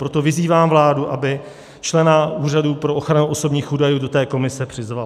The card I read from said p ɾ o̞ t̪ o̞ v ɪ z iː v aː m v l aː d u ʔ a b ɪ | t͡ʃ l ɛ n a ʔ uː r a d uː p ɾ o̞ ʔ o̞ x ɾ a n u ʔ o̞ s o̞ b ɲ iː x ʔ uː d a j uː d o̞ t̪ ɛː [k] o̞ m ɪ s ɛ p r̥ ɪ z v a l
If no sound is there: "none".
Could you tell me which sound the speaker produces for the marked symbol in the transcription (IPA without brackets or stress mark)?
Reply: k